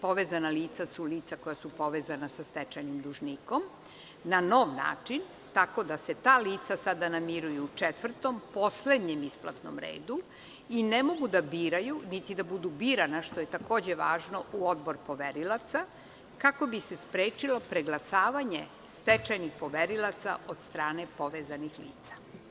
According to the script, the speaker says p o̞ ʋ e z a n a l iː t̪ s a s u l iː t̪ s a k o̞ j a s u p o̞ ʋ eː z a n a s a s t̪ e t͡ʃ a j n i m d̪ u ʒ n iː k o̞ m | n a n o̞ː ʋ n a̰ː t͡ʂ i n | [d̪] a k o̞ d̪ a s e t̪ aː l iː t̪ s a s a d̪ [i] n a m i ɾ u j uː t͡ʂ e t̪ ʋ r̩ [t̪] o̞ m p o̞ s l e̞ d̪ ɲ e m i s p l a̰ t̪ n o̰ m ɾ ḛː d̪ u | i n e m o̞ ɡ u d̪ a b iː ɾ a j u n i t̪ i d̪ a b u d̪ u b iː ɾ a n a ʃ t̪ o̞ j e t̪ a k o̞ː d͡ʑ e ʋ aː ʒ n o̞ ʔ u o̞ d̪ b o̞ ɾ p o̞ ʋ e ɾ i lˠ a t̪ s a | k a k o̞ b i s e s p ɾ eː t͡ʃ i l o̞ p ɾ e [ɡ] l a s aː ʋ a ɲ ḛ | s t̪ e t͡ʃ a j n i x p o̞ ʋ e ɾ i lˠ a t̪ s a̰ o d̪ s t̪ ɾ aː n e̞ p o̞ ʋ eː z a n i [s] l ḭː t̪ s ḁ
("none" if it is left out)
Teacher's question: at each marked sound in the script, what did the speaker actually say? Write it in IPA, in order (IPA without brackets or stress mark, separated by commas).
t̪, a, t̪, ɡ, x